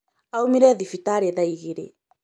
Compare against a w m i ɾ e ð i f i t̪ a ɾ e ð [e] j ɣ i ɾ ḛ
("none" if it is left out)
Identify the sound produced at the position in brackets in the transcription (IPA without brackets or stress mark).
a